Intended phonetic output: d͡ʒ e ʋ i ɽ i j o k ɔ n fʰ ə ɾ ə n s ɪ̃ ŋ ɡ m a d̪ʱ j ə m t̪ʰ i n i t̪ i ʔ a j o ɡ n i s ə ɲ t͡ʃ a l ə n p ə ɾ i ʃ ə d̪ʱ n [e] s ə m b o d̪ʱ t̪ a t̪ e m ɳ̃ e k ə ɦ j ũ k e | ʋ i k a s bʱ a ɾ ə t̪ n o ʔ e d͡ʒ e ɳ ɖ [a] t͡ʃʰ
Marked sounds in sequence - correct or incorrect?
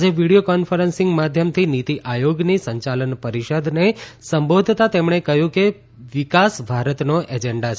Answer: correct, correct

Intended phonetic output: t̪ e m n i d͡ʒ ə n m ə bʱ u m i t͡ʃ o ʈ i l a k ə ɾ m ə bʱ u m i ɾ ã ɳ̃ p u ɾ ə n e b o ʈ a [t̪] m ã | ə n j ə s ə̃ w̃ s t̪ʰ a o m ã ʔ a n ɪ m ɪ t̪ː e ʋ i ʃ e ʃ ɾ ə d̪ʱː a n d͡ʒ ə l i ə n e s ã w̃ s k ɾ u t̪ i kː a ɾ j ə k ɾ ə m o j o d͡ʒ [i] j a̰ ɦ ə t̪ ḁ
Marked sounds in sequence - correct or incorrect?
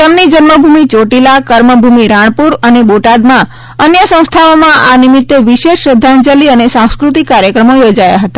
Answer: incorrect: d̪, incorrect: a

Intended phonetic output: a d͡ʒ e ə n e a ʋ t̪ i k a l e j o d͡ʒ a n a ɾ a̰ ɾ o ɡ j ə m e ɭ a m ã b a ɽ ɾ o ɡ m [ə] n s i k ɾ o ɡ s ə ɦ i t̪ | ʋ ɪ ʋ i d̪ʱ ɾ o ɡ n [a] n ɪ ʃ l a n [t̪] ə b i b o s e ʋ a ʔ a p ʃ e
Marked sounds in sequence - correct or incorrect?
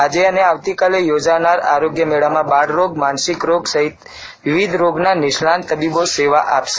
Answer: incorrect: a, correct, correct

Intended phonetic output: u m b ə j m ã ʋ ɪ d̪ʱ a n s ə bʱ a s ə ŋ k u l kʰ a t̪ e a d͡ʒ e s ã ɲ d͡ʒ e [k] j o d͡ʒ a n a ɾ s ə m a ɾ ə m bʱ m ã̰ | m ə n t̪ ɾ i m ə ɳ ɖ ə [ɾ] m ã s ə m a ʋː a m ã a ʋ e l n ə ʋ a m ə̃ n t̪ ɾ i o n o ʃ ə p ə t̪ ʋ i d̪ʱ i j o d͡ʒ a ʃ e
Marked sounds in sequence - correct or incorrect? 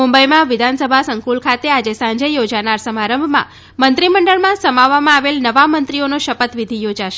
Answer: incorrect: none, incorrect: ɭ

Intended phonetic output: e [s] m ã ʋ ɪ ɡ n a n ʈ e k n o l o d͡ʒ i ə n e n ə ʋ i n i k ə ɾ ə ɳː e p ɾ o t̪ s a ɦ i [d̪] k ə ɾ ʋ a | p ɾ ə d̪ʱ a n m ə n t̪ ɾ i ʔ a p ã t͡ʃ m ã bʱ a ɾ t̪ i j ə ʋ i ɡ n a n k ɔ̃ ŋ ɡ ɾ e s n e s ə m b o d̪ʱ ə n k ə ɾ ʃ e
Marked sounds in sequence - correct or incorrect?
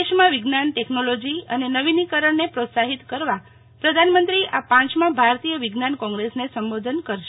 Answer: incorrect: ʃ, incorrect: t̪

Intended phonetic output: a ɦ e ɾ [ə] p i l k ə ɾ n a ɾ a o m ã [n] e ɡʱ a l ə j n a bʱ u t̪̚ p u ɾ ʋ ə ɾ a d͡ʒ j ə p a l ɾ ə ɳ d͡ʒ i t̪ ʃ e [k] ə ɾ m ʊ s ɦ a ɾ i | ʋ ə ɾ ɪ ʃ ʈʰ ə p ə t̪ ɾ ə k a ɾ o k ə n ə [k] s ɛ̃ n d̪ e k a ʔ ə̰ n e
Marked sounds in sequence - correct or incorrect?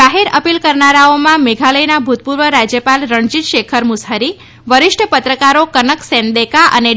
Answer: correct, incorrect: m, incorrect: kʰ, correct

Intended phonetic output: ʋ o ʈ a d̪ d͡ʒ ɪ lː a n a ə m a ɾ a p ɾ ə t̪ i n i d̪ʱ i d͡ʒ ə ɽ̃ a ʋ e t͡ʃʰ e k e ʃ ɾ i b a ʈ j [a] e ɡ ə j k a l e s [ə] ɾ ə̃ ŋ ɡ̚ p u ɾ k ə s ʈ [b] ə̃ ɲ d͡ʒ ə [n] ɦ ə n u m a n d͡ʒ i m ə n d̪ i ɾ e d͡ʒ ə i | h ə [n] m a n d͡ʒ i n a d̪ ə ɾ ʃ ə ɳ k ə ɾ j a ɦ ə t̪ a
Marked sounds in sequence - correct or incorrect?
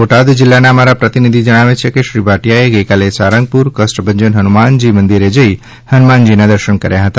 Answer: correct, incorrect: a, correct, correct, correct

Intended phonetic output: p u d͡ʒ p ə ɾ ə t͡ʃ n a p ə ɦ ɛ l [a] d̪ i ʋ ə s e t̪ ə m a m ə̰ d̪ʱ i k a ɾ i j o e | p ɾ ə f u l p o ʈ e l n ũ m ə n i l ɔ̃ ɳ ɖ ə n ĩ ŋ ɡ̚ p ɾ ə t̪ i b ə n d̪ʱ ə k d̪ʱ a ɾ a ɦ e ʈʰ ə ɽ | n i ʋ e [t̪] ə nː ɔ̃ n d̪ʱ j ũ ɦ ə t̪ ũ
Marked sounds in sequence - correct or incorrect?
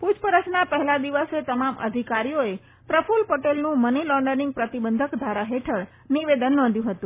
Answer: correct, incorrect: d̪

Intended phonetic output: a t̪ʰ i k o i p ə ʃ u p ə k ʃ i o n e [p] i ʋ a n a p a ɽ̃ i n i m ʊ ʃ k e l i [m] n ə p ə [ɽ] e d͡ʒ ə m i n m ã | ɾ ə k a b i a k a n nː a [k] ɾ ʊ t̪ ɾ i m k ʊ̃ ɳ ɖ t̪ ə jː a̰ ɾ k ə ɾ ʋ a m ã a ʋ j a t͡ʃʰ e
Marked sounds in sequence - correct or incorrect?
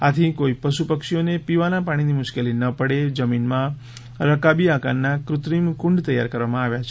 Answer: correct, incorrect: none, correct, correct

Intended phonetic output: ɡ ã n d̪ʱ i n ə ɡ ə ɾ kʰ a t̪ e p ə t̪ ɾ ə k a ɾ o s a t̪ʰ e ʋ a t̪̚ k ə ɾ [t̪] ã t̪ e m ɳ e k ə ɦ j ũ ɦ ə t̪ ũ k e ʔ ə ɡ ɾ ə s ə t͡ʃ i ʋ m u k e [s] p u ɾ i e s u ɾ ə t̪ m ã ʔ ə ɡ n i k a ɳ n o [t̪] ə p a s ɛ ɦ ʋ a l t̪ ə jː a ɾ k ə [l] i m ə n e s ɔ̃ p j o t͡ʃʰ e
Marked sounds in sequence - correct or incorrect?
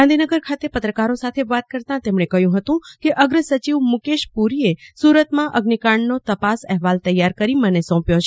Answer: correct, incorrect: ʃ, correct, incorrect: ɾ

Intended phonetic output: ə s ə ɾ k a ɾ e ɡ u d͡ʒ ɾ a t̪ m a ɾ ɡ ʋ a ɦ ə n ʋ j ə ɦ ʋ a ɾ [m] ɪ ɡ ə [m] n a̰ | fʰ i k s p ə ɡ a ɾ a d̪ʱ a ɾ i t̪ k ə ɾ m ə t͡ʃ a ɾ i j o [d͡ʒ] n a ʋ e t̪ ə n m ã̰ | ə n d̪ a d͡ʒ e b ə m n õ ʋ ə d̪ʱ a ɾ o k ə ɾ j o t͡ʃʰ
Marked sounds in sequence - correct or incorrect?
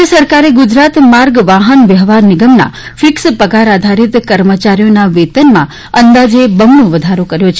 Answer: incorrect: n, correct, incorrect: none

